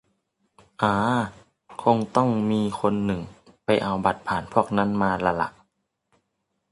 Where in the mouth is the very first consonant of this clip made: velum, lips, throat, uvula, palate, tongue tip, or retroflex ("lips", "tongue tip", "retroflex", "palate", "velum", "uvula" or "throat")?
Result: throat